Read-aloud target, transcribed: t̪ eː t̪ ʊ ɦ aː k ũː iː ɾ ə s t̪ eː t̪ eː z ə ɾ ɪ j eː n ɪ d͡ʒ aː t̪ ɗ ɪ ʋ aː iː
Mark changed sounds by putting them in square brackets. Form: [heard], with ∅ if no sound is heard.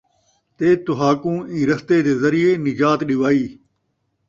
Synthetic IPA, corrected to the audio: t̪ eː t̪ ʊ ɦ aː k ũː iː ɾ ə s t̪ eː [d̪] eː z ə ɾ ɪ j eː n ɪ d͡ʒ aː t̪ ɗ ɪ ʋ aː iː